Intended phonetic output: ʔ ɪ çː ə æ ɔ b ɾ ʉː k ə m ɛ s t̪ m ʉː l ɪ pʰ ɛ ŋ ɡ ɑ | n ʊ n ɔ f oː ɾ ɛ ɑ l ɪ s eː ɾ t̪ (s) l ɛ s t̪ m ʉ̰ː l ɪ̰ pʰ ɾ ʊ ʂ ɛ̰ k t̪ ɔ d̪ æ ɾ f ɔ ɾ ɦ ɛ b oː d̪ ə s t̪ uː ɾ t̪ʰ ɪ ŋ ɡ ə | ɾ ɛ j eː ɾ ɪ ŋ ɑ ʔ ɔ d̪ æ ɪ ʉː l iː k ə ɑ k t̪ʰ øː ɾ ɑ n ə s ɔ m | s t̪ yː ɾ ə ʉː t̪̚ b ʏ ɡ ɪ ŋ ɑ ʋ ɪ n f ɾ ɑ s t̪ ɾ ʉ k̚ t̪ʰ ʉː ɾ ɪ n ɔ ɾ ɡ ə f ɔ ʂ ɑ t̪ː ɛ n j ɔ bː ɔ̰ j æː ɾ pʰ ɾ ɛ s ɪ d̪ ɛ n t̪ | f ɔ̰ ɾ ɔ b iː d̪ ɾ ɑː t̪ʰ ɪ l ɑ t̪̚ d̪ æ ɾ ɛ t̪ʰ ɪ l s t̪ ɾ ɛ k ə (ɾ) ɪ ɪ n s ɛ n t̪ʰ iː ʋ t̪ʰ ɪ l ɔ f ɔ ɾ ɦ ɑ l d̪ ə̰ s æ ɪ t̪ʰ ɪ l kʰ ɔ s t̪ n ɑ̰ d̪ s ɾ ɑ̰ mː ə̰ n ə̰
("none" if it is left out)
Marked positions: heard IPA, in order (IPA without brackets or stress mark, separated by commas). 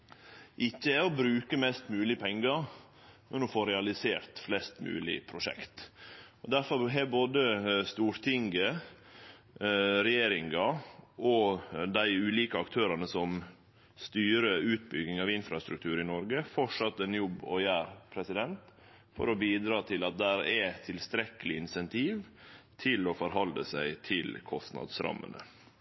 f, l